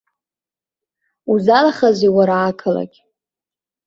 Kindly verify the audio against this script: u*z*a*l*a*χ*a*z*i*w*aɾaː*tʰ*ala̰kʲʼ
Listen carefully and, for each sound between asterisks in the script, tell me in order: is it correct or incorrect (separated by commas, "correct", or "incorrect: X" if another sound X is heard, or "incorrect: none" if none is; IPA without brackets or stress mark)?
correct, correct, correct, correct, correct, incorrect: kʰ